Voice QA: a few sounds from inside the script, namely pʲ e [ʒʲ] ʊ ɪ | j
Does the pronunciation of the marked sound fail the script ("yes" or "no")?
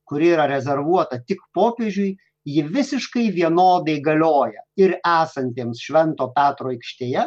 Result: no